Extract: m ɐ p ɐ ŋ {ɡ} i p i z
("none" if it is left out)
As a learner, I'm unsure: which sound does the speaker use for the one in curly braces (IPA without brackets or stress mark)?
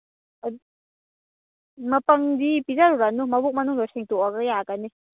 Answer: d